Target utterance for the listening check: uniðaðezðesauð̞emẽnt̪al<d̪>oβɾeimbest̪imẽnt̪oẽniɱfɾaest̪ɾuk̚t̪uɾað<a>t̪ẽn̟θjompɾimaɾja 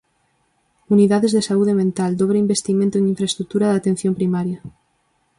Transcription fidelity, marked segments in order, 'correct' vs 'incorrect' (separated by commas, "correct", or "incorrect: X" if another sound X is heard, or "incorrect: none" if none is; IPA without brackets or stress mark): correct, correct